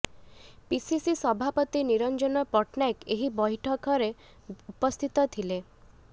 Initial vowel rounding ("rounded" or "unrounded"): unrounded